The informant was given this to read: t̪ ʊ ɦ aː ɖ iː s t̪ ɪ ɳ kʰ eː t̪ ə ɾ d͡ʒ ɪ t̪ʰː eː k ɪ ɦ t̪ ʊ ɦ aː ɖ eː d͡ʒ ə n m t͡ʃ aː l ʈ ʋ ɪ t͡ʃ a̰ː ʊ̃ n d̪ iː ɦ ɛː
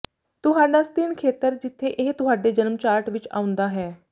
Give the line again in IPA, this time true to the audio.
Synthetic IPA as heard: t̪ ʊ ɦ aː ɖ aː s t̪ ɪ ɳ kʰ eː t̪ ə ɾ d͡ʒ ɪ t̪ʰː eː ʔ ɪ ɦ t̪ ʊ ɦ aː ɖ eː d͡ʒ ə n m t͡ʃ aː ɾ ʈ ʋ ɪ t͡ʃ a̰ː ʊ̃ n d̪ aː ɦ ɛː